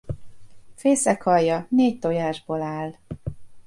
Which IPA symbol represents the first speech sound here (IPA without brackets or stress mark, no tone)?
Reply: f